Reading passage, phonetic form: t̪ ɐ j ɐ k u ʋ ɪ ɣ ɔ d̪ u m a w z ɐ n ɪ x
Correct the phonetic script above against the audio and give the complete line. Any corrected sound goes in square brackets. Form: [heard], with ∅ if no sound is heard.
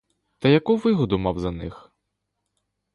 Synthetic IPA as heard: t̪ ɐ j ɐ k u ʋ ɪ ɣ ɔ d̪ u m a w z ɐ n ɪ x

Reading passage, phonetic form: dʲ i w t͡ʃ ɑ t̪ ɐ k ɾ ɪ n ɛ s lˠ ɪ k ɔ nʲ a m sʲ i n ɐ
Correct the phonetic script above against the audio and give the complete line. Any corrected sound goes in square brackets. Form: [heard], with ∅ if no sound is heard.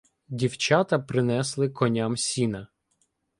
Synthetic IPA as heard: dʲ i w t͡ʃ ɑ t̪ ɐ [p] ɾ ɪ n ɛ s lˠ ɪ k ɔ nʲ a m sʲ i n ɐ

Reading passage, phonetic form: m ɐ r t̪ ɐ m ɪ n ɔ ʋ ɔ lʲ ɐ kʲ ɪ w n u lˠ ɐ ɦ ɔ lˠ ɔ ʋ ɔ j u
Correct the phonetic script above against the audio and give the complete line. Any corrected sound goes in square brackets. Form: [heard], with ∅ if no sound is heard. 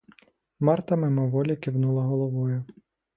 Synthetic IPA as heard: m [ɑ] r t̪ ɐ m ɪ [m] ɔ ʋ ɔ lʲ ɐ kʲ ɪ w n u lˠ ɐ ɦ ɔ lˠ ɔ ʋ ɔ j [ʊ]

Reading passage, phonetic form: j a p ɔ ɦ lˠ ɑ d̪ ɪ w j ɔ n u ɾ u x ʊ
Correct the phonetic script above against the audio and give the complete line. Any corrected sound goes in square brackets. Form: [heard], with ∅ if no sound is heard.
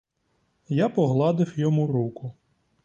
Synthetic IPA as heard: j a p ɔ ɦ lˠ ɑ d̪ ɪ w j ɔ [m] u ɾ u [k] ʊ

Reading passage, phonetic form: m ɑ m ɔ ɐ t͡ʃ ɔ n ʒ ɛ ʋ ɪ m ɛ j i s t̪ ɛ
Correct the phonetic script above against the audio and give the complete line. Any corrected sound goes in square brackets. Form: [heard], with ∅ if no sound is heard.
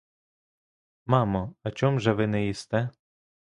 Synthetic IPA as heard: m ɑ m ɔ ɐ t͡ʃ ɔ [m] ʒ ɛ ʋ ɪ [n] ɛ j i s t̪ ɛ

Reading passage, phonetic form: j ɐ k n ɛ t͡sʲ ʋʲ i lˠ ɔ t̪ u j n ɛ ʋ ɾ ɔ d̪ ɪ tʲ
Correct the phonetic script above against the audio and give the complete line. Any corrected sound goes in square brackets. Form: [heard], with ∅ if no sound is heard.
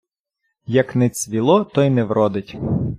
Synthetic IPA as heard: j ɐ k n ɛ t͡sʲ ʋʲ i lˠ ɔ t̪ [ɔ] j n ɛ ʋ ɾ ɔ d̪ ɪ tʲ

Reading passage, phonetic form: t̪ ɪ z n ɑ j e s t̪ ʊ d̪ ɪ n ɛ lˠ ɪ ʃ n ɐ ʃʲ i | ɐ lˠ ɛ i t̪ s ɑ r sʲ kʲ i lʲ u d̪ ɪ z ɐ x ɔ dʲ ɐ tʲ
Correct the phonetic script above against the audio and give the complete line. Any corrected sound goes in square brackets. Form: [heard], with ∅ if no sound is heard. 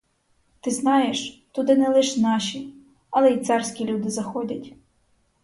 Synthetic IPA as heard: t̪ ɪ z n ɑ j e [ʃ] t̪ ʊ d̪ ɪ n ɛ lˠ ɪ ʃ n [ɑ] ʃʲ i | ɐ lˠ ɛ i t̪ s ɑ r sʲ kʲ i lʲ u d̪ ɪ z ɐ x ɔ dʲ ɐ tʲ

